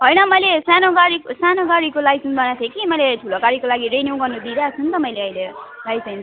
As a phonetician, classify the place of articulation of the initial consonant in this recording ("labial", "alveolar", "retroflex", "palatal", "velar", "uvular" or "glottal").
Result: glottal